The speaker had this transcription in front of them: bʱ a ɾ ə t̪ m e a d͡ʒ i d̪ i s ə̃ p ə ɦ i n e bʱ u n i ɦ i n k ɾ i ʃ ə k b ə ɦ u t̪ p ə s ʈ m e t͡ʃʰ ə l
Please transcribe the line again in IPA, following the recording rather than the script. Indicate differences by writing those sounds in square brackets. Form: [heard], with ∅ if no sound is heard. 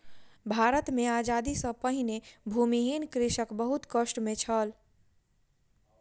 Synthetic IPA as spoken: bʱ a ɾ ə t̪ m e a d͡ʒ [a] d̪ i s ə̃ p ə ɦ i n e bʱ u [m] i ɦ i n k ɾ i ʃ ə k b ə ɦ u t̪ [k] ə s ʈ m e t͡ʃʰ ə l